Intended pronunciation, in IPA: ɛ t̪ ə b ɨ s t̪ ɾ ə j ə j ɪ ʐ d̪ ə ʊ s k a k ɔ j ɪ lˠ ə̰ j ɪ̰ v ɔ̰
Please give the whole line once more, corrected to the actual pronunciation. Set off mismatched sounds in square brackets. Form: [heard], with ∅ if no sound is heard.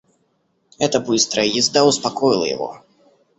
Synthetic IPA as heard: ɛ t̪ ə b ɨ s t̪ ɾ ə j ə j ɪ [z] d̪ [a] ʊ s [p] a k ɔ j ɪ lˠ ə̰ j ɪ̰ v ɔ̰